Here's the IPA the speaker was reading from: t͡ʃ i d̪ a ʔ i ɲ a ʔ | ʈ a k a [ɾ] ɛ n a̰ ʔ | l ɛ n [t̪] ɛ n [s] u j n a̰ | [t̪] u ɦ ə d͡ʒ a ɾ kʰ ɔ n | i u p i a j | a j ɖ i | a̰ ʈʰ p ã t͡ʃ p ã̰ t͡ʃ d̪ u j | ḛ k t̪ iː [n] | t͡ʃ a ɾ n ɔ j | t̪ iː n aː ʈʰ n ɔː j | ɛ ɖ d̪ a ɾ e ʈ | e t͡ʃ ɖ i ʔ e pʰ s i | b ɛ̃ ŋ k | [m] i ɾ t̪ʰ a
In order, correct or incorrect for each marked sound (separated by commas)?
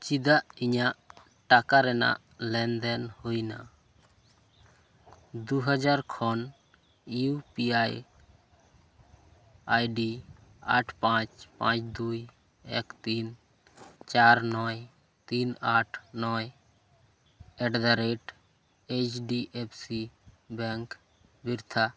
correct, incorrect, incorrect, incorrect, correct, incorrect